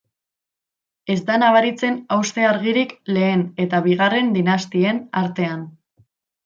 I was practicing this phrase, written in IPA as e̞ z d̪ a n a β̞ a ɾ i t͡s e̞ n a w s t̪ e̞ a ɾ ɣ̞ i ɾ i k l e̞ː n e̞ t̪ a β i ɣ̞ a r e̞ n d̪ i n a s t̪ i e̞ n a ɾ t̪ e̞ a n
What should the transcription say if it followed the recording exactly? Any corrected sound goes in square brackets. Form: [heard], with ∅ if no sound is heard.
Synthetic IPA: e̞ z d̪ a n a β̞ a ɾ i t͡s e̞ n a w s t̪ e̞ a ɾ ɣ̞ i ɾ i k l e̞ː n e̞ t̪ a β i ɣ̞ a r e̞ n d̪ i n a s t̪ i e̞ n a ɾ t̪ e̞ a n